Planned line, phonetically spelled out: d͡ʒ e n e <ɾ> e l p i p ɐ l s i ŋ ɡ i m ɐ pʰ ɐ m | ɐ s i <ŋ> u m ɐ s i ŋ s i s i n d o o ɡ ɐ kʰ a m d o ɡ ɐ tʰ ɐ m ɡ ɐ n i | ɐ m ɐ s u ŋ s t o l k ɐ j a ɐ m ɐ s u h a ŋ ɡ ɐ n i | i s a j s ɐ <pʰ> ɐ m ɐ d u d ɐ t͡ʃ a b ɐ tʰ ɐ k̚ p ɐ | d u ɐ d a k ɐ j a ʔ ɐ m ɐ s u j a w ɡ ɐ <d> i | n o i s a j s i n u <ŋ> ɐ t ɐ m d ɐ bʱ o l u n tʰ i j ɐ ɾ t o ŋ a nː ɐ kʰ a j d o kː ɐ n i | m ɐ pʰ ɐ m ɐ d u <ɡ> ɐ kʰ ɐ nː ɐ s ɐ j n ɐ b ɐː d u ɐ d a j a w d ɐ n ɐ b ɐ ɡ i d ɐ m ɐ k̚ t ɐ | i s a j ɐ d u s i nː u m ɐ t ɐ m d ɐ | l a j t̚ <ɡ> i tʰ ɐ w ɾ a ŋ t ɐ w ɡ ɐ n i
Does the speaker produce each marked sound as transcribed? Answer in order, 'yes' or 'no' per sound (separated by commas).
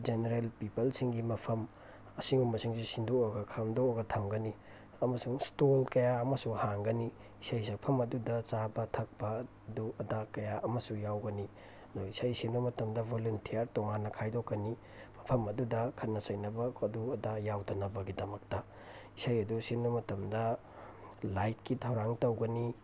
yes, yes, yes, no, no, no, no